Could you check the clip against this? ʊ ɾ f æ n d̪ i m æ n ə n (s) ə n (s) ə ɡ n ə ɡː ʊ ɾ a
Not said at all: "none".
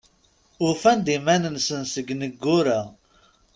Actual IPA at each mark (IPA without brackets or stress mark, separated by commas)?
s, s